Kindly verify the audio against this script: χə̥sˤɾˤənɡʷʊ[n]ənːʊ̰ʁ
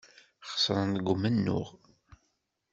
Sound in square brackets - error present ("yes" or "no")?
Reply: yes